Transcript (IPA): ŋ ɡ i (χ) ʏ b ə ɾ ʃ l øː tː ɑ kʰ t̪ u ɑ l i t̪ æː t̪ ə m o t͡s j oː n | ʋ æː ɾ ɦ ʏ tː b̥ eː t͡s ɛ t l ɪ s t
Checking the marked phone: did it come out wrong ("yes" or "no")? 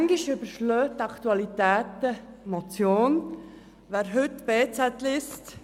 yes